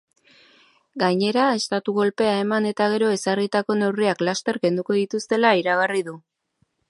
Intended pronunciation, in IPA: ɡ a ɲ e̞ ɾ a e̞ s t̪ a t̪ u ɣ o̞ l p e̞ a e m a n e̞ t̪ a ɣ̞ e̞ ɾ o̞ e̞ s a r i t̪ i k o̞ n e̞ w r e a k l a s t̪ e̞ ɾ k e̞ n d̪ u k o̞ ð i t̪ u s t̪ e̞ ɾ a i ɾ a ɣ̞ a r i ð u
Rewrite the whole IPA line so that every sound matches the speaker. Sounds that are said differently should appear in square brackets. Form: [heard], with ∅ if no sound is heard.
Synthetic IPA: ɡ a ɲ e̞ ɾ a e̞ s t̪ a t̪ u ɣ o̞ l p e̞ a e m a n e̞ t̪ a ɣ̞ e̞ ɾ o̞ e̞ s a r i t̪ [a] k o̞ n e̞ w r [i] a k l a s t̪ e̞ ɾ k e̞ n d̪ u k o̞ ð i t̪ u s t̪ e̞ [l] a i ɾ a ɣ̞ a r i ð u